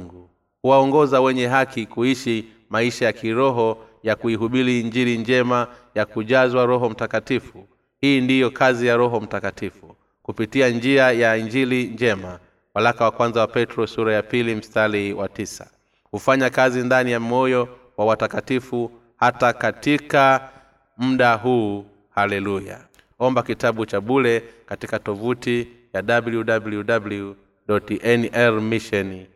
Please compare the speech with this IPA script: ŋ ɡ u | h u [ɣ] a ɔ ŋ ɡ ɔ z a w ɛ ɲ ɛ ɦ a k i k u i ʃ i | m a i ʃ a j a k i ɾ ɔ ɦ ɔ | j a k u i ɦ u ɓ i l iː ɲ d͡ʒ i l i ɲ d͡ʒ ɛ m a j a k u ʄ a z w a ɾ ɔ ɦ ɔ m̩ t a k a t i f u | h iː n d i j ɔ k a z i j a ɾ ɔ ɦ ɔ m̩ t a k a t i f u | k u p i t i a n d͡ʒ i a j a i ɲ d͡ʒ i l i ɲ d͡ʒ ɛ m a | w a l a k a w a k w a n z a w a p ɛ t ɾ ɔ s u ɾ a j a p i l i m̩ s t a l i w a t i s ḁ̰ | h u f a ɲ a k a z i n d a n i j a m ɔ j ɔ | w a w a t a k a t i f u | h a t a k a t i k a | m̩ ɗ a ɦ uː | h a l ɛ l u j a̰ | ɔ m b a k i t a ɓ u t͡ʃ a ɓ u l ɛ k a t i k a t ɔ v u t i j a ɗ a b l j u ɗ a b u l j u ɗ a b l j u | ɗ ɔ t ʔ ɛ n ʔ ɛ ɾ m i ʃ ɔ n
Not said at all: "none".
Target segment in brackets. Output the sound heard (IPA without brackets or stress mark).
w